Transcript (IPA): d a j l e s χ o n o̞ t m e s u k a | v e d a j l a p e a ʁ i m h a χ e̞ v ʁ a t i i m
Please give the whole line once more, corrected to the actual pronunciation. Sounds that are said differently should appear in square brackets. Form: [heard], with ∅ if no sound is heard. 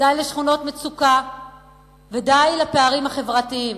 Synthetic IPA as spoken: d a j l e [ʃ] χ [u] n o̞ t m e [t͡s] u k a | v e d a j l a p e a ʁ i m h a χ e̞ v ʁ a t i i m